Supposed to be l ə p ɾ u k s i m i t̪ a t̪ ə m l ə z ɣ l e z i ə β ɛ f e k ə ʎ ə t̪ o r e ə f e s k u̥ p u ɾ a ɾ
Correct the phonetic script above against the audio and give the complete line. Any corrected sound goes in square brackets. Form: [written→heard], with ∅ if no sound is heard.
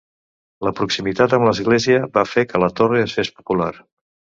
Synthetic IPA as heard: l ə p ɾ u k s i m i t̪ a t̪ ə m l ə z ɣ l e z i ə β [ɛ→a] f e k ə [ʎ→l] ə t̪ o r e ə [f→s] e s [k→p] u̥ p u [ɾ→l] a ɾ